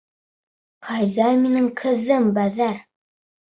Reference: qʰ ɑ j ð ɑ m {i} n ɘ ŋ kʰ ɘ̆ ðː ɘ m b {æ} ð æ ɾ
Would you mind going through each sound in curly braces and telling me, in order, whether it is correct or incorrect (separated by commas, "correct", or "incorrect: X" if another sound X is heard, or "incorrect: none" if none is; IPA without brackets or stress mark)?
correct, correct